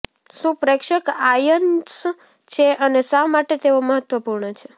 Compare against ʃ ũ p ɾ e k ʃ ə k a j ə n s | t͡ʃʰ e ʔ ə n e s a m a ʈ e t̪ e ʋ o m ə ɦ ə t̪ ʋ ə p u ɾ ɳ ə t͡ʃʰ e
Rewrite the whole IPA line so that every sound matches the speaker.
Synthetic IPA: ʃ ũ p ɾ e k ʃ ə k a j ə n s | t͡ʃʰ e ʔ ə n e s a m a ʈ e t̪ e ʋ o m ə ɦ ə t̪ ʋ ə p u ɾ ɳ ə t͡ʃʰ e